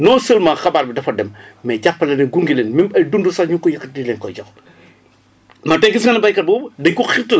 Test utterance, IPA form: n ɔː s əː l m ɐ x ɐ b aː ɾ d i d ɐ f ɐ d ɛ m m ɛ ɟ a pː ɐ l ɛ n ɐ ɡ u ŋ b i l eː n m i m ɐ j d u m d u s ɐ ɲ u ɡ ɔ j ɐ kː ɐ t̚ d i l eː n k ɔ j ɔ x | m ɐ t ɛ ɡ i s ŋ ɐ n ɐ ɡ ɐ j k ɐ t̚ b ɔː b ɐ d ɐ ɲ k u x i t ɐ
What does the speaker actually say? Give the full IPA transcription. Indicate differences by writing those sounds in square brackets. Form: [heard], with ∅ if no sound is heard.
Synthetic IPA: n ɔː s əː l m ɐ x ɐ b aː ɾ [b] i d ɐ f ɐ d ɛ m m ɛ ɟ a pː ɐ l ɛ n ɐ ɡ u ŋ [ɡ] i l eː n m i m ɐ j d u [n] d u s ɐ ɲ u [k] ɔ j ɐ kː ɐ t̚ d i l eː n k ɔ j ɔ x | m ɐ t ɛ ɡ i s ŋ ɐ n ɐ [b] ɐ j k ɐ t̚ b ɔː b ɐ d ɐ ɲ k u x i t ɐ